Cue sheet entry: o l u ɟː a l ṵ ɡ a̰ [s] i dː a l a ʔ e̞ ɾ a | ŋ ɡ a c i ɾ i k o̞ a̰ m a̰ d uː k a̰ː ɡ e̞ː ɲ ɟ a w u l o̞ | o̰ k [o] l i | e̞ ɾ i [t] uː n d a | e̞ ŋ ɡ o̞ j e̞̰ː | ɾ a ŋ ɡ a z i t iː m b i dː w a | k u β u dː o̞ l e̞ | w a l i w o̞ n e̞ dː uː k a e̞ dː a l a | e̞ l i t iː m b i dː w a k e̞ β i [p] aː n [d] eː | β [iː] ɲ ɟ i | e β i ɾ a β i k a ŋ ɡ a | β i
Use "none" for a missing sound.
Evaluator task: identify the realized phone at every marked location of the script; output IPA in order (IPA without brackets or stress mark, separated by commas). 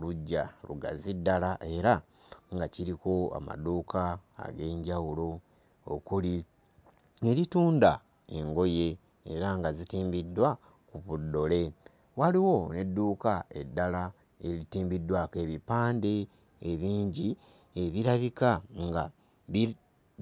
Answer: z, u, t, p, d, iː